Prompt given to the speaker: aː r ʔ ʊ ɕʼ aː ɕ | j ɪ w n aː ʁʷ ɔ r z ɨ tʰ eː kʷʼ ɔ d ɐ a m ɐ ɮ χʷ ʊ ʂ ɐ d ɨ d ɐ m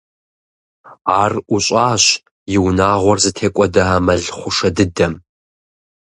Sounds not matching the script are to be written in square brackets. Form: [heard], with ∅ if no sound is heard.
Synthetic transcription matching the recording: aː r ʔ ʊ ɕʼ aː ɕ | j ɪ w n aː ʁʷ ɔ r z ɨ tʰ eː kʷʼ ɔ d ɐ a m ɐ ɮ χʷ ʊ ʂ ɐ d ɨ d ɐ m